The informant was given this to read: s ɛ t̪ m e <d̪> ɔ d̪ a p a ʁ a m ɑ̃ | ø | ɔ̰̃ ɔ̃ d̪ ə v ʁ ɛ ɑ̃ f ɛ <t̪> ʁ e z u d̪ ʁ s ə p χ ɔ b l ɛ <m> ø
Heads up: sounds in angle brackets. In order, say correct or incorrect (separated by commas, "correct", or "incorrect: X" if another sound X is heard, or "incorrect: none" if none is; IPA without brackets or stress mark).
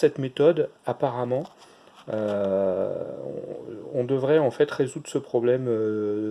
incorrect: t̪, correct, correct